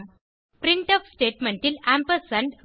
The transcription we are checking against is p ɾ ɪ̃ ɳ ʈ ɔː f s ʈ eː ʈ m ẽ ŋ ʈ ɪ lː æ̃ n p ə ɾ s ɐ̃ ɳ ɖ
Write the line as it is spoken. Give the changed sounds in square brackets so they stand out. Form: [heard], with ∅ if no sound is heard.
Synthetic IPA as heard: p ɾ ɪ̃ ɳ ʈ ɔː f s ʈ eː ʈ m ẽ [ɳ] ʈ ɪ [l] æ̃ [m] p ə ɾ s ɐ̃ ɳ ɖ